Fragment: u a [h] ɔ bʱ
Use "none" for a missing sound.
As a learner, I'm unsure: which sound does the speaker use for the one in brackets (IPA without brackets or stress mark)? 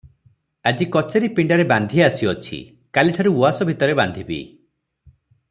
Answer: s